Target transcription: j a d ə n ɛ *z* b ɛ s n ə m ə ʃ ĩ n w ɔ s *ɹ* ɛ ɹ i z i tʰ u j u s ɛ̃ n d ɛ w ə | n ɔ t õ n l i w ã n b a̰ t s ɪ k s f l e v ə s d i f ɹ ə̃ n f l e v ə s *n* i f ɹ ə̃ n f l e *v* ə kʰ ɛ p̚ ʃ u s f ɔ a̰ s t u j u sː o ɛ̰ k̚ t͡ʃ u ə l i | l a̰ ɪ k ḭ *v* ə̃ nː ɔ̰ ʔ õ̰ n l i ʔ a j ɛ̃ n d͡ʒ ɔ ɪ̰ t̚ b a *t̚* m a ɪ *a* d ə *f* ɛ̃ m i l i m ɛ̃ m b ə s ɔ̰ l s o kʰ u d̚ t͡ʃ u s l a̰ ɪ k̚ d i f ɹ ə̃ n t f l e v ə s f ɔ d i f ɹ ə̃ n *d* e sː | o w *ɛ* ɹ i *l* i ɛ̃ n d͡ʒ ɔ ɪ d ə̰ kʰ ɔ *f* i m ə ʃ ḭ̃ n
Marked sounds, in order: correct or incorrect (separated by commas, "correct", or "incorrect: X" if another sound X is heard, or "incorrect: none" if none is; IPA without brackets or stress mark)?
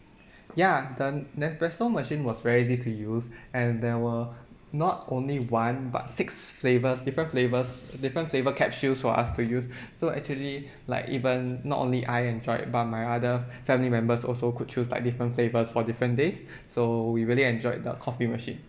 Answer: incorrect: s, correct, incorrect: d, correct, correct, correct, correct, correct, correct, incorrect: i, correct, correct